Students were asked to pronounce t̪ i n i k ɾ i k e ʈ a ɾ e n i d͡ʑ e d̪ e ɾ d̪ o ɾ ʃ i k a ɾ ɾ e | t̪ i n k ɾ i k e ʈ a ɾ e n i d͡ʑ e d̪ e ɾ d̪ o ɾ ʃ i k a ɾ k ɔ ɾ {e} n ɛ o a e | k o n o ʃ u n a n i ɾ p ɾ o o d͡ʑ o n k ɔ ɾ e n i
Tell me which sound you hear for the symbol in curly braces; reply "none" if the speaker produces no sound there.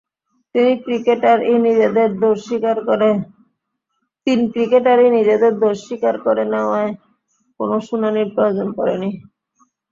e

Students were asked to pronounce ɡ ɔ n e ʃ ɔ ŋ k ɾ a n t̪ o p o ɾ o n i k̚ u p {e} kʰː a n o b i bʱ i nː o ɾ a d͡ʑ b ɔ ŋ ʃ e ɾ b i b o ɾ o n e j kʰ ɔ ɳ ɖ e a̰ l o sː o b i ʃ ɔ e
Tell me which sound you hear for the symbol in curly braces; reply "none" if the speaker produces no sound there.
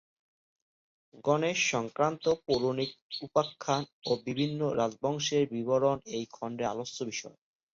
a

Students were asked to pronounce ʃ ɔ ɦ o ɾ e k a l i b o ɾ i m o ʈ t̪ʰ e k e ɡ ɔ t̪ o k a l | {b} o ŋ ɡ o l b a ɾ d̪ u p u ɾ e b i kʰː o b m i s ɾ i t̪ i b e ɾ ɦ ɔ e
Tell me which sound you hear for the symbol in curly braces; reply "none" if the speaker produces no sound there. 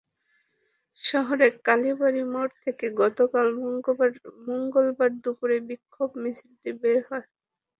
m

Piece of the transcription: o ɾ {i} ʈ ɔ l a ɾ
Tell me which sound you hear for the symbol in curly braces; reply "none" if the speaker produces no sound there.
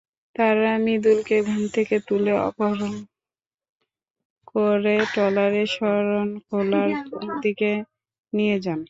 e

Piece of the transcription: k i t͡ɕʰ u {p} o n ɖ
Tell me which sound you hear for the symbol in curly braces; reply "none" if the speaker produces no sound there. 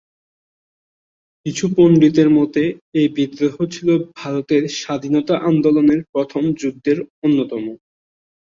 p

